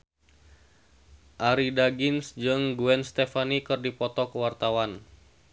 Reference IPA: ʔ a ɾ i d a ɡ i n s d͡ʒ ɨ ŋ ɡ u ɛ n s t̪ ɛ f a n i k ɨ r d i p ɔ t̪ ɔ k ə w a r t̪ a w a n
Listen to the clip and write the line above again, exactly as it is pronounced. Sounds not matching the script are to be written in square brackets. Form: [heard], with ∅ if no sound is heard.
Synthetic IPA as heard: ʔ a ɾ i d a ɡ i n s d͡ʒ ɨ ŋ ɡ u ɛ n s t̪ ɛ f a n i k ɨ r d i p ɔ t̪ ɔ k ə w a r t̪ a w a n